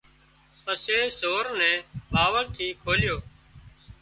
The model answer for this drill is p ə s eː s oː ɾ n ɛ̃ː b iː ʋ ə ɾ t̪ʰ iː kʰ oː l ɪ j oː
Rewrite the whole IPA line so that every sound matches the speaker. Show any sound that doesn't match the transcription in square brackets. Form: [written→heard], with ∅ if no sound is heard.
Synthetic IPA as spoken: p ə s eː s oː ɾ n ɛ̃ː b [iː→aː] ʋ ə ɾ t̪ʰ iː kʰ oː l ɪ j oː